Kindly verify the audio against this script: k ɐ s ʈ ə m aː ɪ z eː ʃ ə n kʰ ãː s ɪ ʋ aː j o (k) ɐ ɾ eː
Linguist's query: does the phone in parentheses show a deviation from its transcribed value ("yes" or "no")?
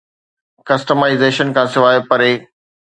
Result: yes